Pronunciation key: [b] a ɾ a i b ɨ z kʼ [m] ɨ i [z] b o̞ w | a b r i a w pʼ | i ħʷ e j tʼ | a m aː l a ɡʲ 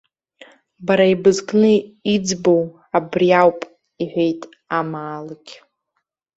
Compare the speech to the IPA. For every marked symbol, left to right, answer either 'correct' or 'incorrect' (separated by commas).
correct, incorrect, incorrect